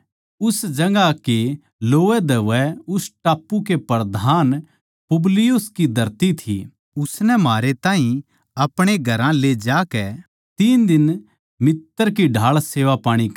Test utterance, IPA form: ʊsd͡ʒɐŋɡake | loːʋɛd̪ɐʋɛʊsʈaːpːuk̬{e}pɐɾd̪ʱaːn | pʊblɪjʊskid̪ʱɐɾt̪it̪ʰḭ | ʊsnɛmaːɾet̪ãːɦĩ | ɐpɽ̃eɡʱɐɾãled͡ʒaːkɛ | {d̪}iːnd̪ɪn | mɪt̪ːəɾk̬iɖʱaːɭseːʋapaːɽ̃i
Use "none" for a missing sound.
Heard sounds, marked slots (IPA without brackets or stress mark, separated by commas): e, t̪